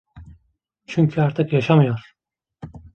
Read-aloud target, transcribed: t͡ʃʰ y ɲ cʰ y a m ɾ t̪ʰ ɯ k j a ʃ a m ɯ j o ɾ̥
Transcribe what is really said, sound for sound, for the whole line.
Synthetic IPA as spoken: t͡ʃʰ y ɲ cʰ y a ɾ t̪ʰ ɯ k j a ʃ a m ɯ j o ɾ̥